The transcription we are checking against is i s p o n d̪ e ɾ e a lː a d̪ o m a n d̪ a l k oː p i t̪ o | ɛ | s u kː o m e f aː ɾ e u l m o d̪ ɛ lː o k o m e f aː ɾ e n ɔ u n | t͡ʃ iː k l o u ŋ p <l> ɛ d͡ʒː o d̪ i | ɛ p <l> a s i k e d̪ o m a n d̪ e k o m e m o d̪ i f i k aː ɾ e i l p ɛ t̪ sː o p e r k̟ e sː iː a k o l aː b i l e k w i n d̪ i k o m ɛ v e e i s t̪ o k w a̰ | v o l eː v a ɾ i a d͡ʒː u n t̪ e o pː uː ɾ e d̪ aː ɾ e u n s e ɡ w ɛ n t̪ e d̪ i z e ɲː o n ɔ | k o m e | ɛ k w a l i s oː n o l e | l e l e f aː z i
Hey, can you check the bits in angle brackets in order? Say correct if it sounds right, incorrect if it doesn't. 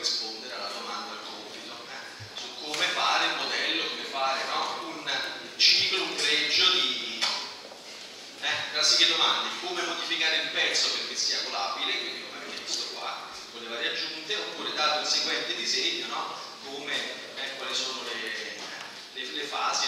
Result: incorrect: ɾ, incorrect: ɾ

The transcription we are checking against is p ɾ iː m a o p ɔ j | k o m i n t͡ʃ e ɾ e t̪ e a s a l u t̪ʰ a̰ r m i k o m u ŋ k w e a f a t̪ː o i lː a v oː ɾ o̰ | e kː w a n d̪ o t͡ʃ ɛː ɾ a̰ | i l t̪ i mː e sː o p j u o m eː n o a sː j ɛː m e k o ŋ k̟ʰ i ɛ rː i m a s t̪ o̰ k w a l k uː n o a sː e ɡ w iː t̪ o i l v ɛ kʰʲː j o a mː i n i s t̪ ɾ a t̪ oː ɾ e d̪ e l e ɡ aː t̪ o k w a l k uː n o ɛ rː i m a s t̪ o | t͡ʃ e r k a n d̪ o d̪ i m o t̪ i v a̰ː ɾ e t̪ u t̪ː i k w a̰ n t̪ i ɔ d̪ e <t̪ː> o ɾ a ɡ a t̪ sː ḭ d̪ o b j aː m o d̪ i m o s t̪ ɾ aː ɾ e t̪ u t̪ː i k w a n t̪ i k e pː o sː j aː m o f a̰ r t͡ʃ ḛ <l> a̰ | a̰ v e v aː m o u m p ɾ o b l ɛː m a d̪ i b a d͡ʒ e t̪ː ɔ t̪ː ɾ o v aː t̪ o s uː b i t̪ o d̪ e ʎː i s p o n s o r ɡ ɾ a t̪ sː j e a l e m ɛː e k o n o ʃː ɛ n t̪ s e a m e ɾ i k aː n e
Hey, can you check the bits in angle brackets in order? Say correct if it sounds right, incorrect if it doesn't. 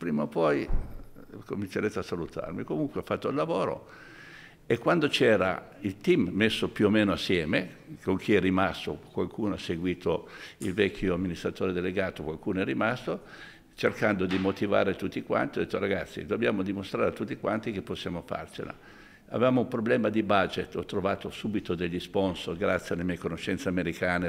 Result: correct, correct

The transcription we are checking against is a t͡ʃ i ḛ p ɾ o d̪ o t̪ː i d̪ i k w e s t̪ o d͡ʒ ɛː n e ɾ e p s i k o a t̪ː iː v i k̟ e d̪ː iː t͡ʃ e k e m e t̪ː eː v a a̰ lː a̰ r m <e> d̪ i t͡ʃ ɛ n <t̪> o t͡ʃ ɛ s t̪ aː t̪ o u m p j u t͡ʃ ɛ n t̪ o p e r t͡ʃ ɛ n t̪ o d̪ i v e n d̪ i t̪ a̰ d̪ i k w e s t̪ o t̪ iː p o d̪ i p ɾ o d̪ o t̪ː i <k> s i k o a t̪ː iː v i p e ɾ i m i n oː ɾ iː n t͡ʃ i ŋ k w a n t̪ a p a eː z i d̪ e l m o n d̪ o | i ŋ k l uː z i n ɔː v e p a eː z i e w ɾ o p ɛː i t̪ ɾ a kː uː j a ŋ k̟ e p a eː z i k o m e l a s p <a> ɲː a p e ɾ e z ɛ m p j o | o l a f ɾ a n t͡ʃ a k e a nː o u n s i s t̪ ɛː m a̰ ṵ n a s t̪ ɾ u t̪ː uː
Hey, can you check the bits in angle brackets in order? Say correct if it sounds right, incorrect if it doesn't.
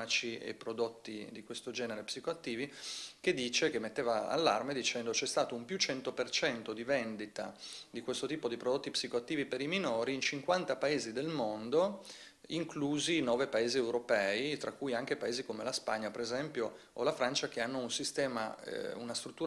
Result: correct, incorrect: d̪, incorrect: p, correct

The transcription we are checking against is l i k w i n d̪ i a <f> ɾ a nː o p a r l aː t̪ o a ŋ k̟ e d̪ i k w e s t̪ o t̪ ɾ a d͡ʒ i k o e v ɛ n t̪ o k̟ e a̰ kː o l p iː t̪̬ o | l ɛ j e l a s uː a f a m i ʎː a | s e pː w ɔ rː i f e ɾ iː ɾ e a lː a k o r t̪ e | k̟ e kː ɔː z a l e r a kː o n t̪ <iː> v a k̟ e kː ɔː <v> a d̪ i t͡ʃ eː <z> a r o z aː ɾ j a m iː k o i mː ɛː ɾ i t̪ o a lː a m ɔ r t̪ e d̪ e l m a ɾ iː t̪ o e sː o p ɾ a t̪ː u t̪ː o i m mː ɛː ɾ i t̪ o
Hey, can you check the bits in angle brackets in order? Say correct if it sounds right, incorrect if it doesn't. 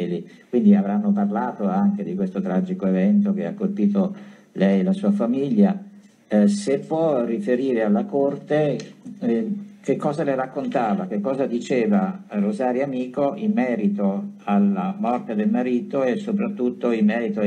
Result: incorrect: v, incorrect: aː, incorrect: z, incorrect: v

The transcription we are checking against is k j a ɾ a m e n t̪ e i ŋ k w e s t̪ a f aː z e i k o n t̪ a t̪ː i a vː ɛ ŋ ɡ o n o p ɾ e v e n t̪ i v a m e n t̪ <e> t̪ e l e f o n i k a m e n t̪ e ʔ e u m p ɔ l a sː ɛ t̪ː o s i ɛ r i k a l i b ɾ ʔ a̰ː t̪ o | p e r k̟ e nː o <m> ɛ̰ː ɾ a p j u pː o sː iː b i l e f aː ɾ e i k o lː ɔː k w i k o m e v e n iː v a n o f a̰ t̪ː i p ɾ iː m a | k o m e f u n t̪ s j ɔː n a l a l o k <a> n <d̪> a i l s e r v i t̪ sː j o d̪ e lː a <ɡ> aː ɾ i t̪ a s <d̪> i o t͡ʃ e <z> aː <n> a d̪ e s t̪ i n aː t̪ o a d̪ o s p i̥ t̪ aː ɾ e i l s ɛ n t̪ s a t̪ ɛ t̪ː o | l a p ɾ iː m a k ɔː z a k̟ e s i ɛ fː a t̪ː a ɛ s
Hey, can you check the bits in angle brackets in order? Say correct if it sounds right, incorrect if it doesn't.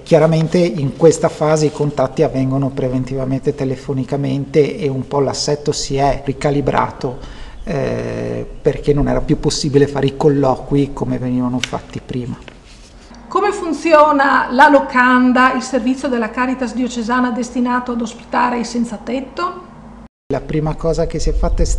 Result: correct, incorrect: n, correct, correct, incorrect: k, correct, correct, correct

